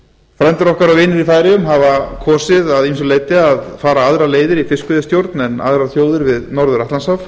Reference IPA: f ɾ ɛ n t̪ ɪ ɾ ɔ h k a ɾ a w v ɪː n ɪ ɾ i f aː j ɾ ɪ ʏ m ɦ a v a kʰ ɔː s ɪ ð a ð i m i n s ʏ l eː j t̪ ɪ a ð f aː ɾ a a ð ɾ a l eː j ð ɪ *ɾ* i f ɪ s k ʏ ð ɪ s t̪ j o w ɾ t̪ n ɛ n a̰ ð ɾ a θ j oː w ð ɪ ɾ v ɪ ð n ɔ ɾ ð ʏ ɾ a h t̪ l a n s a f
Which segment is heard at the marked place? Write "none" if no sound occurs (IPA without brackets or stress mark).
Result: ɾ